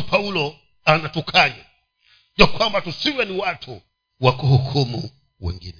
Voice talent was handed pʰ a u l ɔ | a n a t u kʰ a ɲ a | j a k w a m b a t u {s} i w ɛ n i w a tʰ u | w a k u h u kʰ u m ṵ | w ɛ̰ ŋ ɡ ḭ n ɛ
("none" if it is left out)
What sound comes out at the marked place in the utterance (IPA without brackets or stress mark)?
s